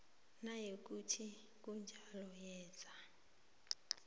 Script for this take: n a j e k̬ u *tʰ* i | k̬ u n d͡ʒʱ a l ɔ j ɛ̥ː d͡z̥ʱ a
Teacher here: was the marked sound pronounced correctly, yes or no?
yes